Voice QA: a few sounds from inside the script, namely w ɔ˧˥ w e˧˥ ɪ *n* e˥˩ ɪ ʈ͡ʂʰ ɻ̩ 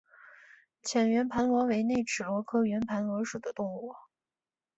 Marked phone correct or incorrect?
correct